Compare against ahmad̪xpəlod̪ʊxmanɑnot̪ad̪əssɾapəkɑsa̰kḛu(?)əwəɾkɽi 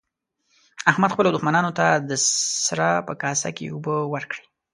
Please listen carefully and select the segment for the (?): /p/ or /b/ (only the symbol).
b